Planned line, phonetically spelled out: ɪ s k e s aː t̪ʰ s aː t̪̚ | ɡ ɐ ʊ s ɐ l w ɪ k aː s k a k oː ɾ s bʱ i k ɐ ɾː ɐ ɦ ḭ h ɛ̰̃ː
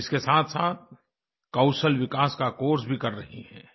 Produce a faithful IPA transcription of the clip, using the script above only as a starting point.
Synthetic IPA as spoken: ɪ s k e s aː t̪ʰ s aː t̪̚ | k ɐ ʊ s ə l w ɪ k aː s k a k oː ɾ s bʱ i k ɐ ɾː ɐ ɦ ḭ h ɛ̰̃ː